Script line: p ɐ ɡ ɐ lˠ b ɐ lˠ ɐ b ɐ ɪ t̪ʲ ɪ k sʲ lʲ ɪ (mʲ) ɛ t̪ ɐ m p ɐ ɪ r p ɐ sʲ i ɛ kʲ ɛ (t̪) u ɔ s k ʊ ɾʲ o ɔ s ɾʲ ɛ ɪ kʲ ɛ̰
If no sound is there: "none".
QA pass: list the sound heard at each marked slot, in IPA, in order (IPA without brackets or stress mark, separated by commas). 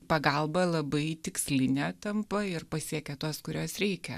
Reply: nʲ, t̪